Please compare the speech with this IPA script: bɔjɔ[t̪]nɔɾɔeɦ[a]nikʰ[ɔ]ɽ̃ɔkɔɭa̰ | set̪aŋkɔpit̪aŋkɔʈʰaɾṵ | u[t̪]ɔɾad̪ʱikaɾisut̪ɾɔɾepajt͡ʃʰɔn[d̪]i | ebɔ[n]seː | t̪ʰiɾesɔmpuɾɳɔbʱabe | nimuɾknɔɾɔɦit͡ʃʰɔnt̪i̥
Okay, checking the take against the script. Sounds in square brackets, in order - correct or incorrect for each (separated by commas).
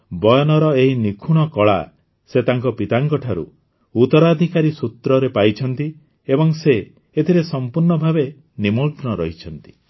incorrect, incorrect, incorrect, correct, incorrect, incorrect